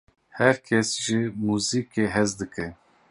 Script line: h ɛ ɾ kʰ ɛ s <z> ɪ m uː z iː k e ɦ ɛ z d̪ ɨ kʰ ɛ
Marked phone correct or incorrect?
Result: incorrect